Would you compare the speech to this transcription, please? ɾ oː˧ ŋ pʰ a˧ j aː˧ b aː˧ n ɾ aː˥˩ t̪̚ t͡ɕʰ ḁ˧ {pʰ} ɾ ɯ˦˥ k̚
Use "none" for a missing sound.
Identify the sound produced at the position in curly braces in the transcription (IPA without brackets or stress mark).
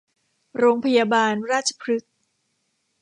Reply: pʰ